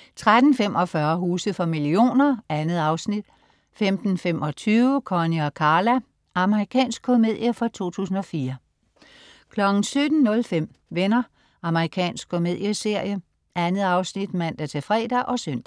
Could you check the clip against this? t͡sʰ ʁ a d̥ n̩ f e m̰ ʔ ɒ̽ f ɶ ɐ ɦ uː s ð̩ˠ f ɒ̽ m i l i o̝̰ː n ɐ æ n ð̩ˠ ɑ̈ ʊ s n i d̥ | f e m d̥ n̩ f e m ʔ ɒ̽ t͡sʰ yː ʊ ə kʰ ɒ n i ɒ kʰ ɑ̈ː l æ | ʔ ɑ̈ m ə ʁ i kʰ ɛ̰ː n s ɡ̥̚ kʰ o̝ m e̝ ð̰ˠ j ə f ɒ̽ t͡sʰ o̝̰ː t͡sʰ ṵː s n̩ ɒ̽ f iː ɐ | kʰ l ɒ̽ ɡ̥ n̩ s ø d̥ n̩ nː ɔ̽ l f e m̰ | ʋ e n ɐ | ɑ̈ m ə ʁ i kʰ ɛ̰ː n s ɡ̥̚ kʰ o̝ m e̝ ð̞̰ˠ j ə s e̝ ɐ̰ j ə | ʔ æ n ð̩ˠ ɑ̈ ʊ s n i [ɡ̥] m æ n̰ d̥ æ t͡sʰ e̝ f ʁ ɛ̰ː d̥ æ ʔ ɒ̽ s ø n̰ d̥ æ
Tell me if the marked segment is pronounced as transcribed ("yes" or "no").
no